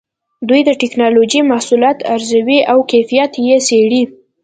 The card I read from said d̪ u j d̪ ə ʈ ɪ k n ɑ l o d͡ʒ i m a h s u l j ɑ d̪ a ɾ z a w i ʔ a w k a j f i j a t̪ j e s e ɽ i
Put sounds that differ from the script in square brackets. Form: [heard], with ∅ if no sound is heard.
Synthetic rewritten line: d̪ u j d̪ ə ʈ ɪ k n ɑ l o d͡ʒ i m a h s u l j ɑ [t̪] a ɾ z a w i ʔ a w k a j f i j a t̪ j e s e ɽ i